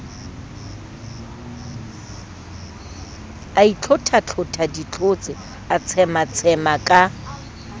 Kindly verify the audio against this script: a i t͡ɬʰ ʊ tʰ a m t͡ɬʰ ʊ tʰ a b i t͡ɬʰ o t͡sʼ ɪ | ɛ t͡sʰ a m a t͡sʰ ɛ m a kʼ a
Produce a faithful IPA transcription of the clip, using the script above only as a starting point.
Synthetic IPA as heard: a i t͡ɬʰ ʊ tʰ a t͡ɬʰ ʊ tʰ a d i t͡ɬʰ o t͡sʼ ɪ | a t͡sʰ ɛ m a t͡sʰ ɛ m a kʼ a